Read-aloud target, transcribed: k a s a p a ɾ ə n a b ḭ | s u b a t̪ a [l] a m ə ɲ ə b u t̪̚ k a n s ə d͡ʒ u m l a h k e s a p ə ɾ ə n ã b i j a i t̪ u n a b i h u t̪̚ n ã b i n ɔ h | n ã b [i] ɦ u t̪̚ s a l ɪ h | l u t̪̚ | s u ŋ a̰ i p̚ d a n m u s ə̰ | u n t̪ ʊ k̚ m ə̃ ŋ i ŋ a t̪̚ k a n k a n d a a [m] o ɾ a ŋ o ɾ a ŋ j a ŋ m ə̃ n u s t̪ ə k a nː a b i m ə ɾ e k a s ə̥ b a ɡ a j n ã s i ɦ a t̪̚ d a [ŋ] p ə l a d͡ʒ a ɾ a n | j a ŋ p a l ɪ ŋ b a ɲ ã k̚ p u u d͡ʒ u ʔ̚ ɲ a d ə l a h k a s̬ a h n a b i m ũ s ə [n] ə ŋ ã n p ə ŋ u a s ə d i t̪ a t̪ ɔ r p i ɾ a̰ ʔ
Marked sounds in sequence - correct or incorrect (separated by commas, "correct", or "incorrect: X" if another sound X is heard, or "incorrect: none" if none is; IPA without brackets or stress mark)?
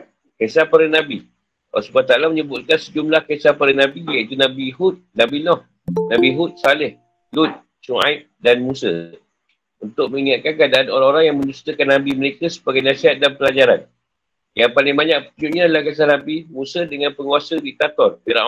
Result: correct, correct, incorrect: n, incorrect: n, incorrect: d